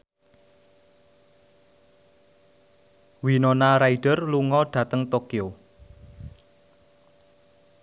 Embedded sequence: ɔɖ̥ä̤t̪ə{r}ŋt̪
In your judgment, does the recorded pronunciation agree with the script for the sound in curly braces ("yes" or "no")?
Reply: no